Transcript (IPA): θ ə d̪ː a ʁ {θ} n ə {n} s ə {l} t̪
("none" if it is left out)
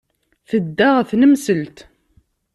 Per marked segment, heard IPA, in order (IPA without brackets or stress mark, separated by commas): θ, m, l